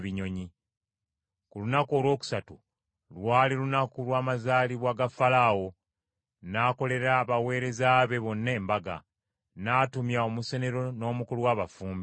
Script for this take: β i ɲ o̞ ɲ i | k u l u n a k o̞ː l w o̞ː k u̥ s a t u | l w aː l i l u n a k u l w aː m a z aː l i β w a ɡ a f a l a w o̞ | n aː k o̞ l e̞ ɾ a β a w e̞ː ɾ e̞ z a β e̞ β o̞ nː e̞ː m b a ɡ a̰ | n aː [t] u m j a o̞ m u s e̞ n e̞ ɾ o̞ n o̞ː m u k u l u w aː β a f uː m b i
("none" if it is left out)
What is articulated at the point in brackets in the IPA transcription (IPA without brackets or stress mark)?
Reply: t